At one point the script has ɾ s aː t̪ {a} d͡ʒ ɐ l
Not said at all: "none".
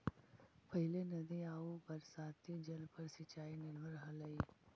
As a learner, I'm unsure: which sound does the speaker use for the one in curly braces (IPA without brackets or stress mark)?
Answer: i